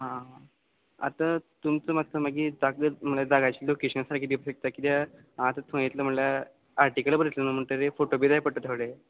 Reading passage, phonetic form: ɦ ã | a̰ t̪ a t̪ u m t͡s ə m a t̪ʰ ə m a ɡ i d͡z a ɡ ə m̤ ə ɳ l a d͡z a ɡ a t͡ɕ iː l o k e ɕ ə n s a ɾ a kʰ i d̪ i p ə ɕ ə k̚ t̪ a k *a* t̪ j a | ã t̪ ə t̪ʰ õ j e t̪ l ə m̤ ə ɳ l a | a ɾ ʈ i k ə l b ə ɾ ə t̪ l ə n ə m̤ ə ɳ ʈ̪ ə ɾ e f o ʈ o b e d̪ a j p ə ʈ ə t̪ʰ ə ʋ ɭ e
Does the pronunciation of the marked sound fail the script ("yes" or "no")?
yes